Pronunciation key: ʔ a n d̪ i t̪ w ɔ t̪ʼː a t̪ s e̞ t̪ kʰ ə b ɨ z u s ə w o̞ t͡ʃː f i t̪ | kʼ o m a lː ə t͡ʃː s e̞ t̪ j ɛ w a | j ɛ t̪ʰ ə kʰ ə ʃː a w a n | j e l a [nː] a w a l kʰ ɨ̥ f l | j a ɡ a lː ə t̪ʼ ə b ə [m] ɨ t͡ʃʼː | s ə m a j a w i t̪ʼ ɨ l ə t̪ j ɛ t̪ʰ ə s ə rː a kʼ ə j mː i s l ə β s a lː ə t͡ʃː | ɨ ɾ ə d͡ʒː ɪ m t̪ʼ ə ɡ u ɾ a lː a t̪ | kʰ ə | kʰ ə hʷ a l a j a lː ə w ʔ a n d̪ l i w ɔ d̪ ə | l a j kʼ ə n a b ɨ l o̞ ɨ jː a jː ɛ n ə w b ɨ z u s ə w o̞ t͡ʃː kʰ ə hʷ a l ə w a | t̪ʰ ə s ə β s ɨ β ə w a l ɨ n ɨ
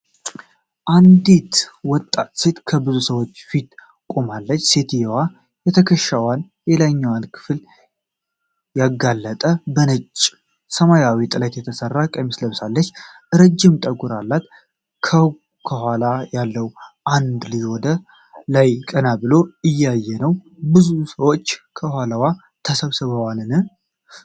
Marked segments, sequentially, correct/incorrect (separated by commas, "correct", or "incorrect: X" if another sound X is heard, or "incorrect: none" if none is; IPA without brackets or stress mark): incorrect: ɲː, incorrect: n